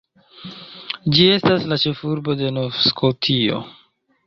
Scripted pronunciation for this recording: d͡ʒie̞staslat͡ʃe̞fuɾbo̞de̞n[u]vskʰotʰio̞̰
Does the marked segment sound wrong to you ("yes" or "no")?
yes